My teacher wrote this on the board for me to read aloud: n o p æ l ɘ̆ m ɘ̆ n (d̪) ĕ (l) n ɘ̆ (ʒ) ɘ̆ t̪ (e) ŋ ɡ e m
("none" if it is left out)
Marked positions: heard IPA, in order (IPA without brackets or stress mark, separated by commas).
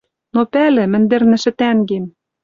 d̪, r, ʃ, æ